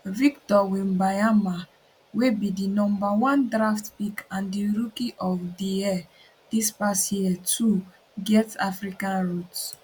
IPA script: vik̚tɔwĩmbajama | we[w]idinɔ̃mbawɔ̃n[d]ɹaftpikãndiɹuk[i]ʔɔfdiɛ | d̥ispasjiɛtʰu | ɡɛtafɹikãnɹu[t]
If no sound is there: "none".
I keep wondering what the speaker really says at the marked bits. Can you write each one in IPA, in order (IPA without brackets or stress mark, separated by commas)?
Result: b, d, i, t